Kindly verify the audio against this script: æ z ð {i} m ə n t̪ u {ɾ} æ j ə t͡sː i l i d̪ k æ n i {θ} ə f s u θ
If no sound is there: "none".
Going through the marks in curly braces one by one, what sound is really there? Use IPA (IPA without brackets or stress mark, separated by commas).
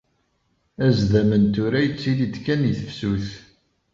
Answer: æ, ɾ, θ